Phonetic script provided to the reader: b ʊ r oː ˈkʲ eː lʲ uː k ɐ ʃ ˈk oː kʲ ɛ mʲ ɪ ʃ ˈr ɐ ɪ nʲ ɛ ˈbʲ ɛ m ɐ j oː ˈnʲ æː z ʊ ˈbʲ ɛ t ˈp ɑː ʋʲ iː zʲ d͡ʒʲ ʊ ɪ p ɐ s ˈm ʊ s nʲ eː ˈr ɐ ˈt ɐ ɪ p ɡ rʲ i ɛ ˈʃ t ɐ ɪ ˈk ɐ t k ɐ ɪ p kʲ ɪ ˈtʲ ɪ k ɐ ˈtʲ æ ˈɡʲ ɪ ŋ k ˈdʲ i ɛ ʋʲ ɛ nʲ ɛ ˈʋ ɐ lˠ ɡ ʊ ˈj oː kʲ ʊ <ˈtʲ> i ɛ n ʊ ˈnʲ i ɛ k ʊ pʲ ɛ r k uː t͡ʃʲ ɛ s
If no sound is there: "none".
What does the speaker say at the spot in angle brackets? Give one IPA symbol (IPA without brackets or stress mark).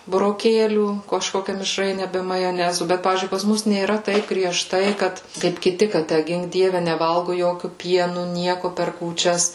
pʲ